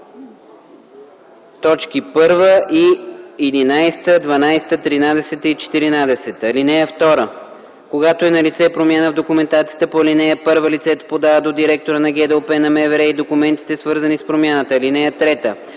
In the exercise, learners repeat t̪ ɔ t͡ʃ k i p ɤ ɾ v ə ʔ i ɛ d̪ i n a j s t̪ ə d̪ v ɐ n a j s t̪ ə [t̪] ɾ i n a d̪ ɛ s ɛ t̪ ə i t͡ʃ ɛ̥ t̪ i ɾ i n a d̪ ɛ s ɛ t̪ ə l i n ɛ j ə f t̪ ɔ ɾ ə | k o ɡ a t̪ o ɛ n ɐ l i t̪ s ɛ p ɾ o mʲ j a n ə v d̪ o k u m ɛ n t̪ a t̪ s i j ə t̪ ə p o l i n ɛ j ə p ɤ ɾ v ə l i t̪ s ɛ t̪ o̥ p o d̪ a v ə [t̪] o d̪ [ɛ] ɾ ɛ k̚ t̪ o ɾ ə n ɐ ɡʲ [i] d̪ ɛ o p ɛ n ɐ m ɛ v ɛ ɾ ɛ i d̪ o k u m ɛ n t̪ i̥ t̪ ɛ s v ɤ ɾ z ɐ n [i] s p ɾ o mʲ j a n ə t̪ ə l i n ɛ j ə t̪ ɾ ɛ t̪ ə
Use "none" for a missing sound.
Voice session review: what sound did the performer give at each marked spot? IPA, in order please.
t̪, d̪, i, ɛ, i

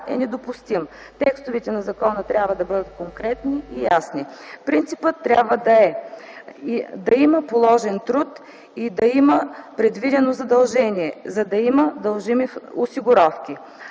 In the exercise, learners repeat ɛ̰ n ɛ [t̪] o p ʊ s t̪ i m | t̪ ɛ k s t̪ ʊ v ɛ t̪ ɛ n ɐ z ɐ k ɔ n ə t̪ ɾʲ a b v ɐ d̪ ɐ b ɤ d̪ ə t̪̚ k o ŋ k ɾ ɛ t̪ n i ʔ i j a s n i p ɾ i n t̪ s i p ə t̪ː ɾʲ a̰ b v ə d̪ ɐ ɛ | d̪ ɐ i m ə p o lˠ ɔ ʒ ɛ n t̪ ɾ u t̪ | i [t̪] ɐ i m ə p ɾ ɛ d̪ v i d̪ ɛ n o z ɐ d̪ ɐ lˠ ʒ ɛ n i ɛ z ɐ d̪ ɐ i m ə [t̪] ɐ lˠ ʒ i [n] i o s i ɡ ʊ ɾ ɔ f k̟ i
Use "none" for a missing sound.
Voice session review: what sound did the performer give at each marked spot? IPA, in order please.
d̪, d̪, d̪, m

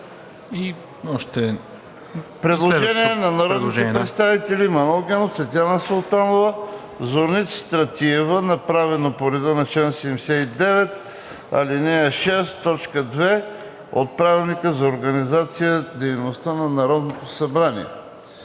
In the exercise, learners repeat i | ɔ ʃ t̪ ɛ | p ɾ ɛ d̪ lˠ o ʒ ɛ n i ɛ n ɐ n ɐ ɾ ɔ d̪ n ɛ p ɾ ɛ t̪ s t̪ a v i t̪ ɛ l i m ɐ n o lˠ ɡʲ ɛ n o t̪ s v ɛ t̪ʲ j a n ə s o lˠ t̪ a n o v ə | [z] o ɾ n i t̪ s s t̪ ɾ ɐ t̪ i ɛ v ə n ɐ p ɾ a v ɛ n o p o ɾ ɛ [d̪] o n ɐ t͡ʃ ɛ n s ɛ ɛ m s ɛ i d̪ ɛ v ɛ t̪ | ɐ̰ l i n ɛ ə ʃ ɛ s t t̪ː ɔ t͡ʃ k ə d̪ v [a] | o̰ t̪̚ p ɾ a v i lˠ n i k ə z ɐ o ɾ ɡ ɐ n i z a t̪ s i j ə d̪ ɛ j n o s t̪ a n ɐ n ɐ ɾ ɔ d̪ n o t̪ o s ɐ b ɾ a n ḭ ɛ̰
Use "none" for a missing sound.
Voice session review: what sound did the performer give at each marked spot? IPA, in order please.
z, d̪, ɛ

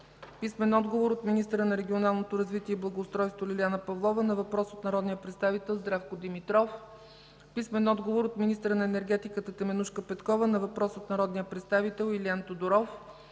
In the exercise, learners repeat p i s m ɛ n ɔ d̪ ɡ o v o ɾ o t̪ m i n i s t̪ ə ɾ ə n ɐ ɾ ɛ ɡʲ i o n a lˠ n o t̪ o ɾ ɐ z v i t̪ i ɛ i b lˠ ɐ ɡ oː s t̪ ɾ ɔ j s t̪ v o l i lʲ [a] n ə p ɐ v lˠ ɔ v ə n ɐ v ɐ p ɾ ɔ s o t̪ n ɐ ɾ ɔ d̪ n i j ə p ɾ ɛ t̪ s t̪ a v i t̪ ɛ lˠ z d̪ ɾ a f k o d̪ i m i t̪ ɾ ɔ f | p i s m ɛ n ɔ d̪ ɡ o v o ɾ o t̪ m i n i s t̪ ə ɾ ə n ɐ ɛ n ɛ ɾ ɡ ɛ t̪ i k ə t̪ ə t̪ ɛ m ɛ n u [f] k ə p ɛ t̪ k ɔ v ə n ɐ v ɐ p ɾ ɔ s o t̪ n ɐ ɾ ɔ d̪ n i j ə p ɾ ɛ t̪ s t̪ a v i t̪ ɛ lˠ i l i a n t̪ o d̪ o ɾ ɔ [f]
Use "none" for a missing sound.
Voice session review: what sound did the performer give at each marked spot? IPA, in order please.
a, ʃ, f

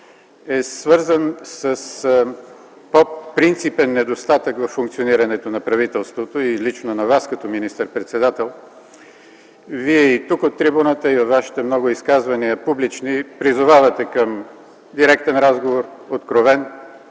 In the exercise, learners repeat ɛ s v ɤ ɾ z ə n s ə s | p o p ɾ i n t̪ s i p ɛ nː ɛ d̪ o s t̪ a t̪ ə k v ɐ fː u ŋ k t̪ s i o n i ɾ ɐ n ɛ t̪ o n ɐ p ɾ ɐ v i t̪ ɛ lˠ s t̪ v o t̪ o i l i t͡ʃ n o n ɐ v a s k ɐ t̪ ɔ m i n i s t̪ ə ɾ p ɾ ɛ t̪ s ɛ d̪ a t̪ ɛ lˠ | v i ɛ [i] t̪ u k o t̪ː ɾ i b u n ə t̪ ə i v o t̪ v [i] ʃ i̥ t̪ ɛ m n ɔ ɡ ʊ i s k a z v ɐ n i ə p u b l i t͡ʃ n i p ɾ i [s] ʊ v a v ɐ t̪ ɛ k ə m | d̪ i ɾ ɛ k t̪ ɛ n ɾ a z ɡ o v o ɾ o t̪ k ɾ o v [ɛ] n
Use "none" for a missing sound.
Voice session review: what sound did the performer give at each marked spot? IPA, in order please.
i, a, z, ɛ

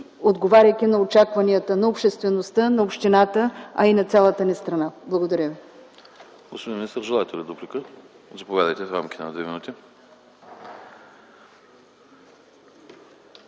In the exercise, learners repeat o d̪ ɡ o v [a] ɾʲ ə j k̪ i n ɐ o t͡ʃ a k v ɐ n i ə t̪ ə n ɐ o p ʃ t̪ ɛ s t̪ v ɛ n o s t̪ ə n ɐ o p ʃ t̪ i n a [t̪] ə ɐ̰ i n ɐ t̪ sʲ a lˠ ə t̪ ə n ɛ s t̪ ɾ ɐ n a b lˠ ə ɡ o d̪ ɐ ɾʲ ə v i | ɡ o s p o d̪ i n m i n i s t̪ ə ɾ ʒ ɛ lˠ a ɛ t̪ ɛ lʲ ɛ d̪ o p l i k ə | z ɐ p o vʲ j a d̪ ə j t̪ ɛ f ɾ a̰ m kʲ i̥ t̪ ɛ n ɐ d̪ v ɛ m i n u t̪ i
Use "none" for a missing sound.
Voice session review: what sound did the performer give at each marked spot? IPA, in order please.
a, t̪

